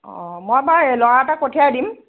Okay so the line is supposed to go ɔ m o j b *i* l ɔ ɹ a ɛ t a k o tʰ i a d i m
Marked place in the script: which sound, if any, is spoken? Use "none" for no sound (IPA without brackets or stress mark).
a